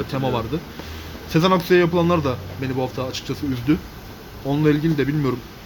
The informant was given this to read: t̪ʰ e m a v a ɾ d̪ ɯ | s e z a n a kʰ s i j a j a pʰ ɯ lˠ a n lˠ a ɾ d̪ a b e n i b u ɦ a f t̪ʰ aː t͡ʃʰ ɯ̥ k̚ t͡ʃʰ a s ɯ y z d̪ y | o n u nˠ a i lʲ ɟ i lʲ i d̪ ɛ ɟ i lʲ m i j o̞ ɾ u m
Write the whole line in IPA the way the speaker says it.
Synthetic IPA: t̪ʰ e m a v a ɾ d̪ ɯ | s e z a n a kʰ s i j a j a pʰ ɯ lˠ a n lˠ a ɾ d̪ a b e n i b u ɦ a f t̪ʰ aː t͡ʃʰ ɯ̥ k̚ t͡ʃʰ a s ɯ y z d̪ y | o n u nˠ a i lʲ ɟ i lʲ i d̪ ɛ b i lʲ m i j o̞ ɾ u m